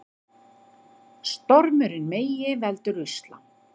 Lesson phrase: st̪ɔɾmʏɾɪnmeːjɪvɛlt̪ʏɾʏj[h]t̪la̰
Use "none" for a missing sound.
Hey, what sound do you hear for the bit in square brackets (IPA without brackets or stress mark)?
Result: s